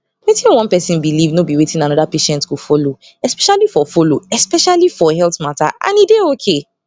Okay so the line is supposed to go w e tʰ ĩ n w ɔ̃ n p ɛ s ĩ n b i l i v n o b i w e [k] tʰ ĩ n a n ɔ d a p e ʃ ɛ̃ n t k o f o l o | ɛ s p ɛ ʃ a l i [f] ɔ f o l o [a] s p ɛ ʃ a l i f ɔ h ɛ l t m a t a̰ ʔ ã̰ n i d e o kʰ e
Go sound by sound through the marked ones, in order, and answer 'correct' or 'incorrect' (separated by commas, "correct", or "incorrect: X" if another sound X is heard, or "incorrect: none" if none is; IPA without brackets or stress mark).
incorrect: none, correct, incorrect: ɛ